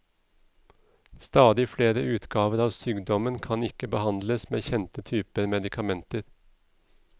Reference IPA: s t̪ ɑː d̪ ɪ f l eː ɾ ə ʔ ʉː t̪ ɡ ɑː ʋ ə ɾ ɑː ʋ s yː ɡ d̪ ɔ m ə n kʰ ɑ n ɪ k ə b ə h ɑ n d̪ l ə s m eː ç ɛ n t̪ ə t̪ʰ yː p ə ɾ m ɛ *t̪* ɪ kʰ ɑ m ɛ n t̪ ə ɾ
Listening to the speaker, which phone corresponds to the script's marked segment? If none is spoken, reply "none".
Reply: d̪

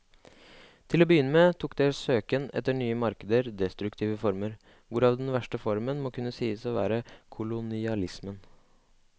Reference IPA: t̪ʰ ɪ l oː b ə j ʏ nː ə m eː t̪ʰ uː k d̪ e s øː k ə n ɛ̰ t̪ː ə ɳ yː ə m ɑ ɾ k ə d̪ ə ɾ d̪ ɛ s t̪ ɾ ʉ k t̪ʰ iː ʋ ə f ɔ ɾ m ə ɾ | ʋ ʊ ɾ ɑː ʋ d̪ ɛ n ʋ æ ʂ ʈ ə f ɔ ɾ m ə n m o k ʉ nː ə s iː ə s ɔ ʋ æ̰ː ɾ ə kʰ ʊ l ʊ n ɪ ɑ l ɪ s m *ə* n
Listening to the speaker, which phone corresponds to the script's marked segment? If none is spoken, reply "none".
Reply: ə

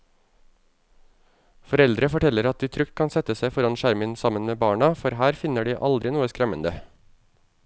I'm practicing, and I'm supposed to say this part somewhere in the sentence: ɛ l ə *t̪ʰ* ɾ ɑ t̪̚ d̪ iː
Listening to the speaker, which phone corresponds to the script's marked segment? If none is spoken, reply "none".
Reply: none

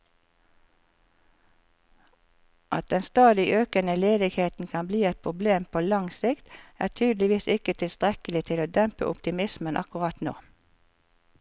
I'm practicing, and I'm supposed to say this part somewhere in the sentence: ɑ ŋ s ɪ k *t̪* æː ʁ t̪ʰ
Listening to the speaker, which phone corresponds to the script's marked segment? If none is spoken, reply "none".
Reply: t̪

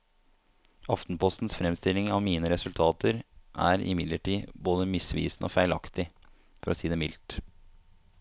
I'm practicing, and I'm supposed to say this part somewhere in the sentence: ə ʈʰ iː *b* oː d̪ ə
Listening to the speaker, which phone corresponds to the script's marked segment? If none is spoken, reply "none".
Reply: b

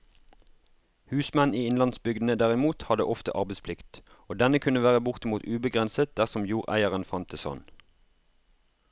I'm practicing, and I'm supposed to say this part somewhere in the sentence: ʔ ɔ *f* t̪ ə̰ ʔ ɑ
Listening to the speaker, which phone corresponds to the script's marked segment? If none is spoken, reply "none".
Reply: f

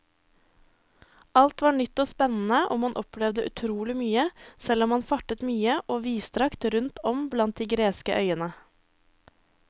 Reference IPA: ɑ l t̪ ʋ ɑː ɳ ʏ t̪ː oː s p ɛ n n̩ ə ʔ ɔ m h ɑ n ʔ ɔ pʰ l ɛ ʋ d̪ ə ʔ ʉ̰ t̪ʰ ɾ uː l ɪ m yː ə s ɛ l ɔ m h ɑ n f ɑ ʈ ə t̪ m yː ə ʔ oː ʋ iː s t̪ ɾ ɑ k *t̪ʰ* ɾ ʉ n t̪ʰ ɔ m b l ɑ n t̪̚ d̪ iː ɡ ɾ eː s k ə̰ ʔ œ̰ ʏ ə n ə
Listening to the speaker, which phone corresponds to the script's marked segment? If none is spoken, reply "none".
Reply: t̪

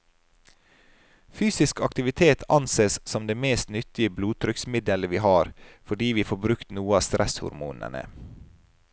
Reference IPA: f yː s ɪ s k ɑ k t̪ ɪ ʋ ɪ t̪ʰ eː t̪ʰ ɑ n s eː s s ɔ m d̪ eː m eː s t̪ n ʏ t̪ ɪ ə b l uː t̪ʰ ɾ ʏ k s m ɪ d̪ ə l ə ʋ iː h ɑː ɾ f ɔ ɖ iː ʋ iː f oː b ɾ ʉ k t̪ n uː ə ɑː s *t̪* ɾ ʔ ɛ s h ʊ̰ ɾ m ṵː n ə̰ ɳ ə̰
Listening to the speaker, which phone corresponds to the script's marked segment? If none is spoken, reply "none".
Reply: t̪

